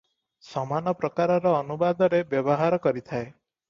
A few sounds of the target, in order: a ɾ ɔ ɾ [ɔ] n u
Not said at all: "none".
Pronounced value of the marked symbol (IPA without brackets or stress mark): ɔː